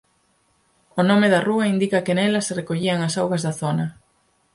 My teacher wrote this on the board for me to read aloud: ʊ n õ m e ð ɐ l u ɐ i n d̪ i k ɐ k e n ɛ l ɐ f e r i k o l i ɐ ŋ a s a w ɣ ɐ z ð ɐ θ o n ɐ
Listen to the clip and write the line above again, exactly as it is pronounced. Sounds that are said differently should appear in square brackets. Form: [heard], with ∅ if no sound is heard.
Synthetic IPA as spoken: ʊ n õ m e ð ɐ [r] u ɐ i n d̪ i k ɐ k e n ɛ l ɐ [s] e r [e] k o [ʎ] i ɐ ŋ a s a w ɣ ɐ z ð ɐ θ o n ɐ